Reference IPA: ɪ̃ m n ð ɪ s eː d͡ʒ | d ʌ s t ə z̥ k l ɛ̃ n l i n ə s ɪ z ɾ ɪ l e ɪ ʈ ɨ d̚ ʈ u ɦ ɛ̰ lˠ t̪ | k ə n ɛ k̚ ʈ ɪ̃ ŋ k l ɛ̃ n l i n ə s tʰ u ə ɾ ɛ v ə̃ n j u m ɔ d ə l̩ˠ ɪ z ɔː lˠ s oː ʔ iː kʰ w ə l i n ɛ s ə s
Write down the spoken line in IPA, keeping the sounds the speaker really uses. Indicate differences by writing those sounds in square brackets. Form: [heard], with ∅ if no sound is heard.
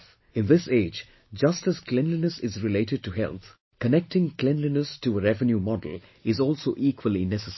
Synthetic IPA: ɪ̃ [∅] n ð ɪ s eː d͡ʒ | [d͡ʒ] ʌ s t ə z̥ k l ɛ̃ n l i n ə s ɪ z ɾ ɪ l e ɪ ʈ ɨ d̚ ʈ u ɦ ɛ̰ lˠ t̪ | k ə n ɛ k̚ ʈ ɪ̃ ŋ k l ɛ̃ n l i n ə s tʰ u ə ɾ ɛ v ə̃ n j u m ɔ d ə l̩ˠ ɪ z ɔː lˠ s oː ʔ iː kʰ w ə l i n ɛ s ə s